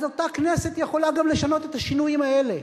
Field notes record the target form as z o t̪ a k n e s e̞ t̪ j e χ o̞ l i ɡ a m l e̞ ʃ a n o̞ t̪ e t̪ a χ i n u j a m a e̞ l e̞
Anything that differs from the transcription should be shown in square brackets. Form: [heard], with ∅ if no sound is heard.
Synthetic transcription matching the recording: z o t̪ a k n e s e̞ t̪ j e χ o̞ l [a] ɡ a m l e̞ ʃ a n o̞ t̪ e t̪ a [ʃ] i n u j [i] m a e̞ l e̞